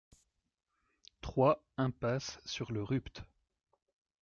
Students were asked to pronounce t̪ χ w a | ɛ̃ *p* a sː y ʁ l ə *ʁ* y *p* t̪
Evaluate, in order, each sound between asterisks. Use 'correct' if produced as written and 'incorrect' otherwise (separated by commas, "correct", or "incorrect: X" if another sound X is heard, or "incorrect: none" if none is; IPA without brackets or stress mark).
correct, correct, correct